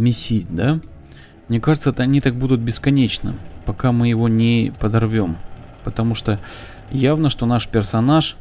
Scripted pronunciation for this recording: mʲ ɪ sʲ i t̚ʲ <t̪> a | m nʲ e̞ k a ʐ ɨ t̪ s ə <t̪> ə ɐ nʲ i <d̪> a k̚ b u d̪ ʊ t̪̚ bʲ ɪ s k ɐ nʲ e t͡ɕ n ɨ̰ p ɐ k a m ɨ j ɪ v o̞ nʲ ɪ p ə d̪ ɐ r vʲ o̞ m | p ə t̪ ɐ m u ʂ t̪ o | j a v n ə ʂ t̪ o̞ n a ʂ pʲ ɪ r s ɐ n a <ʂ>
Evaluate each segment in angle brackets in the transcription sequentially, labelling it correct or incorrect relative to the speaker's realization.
incorrect, correct, incorrect, correct

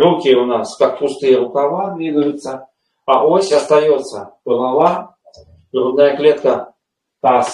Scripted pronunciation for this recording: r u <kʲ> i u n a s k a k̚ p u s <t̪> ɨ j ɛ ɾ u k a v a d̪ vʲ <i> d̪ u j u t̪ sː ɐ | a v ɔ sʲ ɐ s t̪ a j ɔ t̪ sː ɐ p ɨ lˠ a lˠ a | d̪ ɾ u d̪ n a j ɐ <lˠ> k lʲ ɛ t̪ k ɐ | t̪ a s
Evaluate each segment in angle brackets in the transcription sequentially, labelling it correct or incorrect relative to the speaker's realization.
correct, correct, correct, incorrect

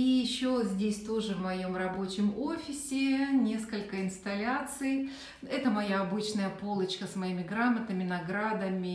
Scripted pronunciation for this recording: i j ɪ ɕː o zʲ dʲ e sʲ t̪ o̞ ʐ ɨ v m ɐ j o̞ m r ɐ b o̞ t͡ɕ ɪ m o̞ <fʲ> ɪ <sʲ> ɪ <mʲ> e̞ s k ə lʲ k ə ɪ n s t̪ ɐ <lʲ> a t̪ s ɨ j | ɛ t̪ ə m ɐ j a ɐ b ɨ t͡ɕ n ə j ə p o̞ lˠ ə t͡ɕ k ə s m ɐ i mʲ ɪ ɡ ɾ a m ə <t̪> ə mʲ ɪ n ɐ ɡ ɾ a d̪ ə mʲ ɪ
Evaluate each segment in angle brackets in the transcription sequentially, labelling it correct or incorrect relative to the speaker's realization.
correct, correct, incorrect, correct, correct

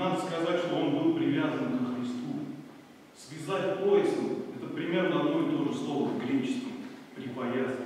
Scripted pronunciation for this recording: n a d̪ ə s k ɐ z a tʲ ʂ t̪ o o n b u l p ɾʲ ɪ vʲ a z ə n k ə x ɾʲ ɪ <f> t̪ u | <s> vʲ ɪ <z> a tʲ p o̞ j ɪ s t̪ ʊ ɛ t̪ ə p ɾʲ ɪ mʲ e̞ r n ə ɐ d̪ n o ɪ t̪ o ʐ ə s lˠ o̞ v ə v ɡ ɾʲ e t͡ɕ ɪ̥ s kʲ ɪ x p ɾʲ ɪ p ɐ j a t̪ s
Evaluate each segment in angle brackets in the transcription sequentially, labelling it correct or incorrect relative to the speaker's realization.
incorrect, correct, correct

